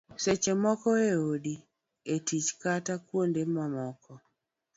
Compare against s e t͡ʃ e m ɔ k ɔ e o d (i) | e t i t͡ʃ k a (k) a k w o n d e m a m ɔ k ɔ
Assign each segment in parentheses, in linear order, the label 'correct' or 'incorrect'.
correct, incorrect: t

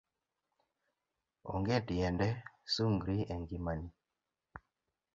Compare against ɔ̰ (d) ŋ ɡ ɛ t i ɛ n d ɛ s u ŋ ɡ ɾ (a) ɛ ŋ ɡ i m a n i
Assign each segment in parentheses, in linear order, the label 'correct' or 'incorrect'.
incorrect: none, incorrect: i

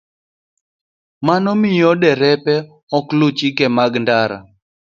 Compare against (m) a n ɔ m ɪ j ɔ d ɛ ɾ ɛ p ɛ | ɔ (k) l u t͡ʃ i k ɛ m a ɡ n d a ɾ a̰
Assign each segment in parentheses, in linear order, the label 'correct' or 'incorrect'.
correct, correct

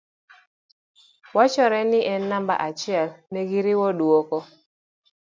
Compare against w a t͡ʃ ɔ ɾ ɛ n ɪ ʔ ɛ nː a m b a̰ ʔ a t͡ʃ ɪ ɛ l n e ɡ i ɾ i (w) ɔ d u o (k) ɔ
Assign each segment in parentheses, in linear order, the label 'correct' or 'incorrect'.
correct, correct

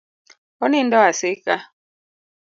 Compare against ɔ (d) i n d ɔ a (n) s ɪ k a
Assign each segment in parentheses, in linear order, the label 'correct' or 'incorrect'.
incorrect: n, incorrect: none

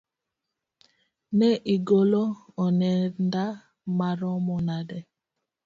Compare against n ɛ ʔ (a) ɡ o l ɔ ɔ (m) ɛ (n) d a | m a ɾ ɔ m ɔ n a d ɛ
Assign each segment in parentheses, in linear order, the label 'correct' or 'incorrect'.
incorrect: i, incorrect: n, correct

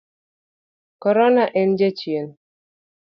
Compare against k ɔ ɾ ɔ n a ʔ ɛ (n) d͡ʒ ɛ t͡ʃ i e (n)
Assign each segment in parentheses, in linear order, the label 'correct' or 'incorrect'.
correct, correct

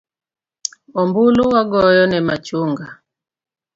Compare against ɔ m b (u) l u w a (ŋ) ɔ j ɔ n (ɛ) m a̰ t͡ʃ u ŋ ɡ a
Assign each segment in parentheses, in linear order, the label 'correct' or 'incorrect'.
correct, incorrect: ɡ, correct

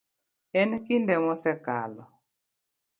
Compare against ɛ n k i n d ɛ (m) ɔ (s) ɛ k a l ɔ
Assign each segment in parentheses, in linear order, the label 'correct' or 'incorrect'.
correct, correct

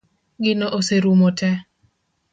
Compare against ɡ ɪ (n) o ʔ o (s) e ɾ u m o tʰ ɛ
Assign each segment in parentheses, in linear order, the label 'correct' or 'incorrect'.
correct, correct

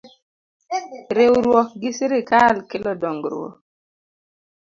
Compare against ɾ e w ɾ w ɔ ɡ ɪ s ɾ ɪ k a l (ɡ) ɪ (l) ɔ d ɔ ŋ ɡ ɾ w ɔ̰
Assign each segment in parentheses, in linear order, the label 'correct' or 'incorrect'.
incorrect: k, correct

